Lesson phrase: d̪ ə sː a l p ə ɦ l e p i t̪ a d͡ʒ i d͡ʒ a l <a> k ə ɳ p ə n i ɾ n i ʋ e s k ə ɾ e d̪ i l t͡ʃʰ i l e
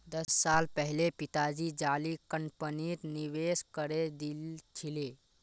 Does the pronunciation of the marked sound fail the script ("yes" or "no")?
yes